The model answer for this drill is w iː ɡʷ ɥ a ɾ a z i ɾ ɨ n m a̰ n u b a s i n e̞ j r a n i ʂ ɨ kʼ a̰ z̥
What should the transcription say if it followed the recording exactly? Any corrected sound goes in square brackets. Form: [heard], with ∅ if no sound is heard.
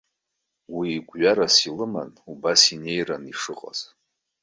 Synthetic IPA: w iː ɡʷ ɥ a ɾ a [s] i [l] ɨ [∅] m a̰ n u b a s i n e̞ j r a n i ʂ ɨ [qʼ] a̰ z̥